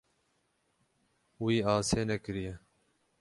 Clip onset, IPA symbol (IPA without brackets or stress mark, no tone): w